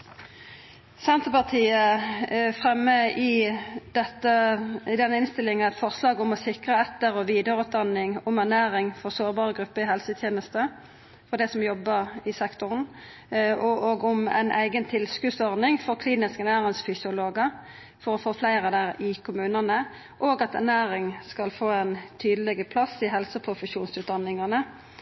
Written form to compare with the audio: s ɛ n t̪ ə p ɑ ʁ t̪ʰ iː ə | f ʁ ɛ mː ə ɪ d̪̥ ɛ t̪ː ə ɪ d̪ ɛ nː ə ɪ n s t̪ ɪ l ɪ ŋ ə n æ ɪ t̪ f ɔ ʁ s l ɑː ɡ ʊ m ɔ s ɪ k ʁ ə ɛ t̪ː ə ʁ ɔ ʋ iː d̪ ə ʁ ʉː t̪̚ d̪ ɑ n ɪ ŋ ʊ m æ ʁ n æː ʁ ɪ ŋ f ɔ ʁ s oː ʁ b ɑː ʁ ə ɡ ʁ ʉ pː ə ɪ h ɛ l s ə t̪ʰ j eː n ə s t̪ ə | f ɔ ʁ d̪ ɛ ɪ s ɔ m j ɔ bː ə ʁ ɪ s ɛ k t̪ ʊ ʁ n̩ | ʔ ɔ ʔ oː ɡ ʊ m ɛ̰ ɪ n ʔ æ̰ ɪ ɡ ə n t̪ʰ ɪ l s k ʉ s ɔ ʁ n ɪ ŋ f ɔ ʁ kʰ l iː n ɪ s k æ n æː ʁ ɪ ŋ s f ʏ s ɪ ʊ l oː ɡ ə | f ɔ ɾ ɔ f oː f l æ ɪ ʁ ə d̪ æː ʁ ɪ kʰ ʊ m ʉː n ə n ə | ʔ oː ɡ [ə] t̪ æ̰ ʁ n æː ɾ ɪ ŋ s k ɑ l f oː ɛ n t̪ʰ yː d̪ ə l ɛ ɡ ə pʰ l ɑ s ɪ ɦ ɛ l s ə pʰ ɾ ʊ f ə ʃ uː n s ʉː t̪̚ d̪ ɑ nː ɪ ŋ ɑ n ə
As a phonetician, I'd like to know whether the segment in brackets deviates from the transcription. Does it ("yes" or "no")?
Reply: yes